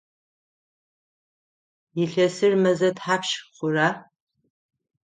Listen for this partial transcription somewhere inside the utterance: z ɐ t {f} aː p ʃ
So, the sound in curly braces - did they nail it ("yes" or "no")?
no